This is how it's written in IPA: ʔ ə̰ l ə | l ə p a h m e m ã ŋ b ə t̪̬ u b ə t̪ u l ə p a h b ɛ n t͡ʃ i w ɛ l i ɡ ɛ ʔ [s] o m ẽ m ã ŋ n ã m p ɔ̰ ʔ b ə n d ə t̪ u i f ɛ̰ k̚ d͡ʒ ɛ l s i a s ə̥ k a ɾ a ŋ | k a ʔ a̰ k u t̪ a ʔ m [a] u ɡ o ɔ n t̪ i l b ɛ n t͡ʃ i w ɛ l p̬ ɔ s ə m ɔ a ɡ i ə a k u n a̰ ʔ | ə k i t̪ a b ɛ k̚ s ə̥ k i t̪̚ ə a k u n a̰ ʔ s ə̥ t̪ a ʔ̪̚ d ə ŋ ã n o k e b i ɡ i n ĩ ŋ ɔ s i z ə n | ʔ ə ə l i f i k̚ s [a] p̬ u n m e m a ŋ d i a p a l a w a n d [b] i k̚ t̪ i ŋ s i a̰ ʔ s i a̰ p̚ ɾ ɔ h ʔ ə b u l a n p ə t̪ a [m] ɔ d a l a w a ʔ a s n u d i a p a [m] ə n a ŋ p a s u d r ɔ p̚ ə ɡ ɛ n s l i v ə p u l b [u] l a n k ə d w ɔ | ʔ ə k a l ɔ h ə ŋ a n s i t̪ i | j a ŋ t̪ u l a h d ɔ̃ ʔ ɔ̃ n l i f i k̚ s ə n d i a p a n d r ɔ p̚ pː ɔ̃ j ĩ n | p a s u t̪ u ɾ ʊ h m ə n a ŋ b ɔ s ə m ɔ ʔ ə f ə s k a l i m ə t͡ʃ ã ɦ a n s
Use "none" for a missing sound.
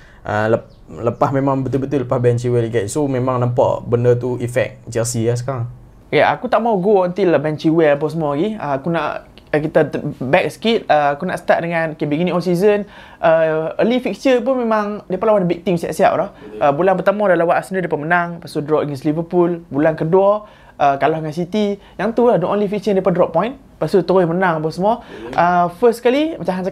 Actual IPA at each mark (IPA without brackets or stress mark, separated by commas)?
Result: s, a, ə, b, m, m, u